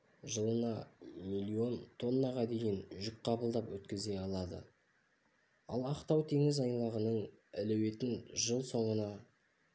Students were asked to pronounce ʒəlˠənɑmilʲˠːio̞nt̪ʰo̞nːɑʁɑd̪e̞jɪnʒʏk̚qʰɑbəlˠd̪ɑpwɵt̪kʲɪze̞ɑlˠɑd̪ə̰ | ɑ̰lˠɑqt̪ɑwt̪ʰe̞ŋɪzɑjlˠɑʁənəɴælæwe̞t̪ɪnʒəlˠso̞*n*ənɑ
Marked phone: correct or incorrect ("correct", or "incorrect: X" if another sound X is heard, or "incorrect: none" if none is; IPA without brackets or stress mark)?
incorrect: ɴ